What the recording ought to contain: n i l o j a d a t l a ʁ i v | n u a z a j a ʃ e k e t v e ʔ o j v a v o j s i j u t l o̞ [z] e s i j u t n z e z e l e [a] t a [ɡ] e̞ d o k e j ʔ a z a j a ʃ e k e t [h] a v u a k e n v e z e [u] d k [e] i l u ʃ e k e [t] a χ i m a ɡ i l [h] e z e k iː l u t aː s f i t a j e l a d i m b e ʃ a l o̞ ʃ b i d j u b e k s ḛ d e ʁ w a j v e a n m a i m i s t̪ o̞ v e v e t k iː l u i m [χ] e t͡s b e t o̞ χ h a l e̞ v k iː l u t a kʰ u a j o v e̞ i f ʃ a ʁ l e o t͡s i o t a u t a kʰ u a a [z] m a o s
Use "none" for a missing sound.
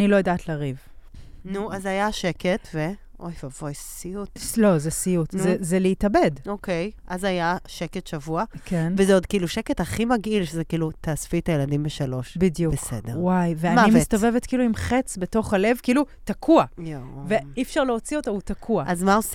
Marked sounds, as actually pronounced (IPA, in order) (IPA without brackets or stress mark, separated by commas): z, i, b, ʃ, o, i, t, ʃ, χ, z